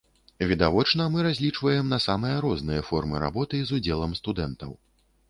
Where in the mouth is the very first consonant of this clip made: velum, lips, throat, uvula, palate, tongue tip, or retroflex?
lips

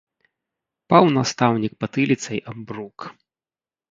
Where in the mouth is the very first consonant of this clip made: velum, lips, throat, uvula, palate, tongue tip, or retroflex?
lips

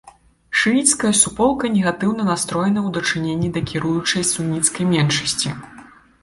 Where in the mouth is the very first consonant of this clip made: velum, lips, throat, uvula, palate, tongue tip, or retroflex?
retroflex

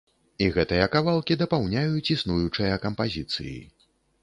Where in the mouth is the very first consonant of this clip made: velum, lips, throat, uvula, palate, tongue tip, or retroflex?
velum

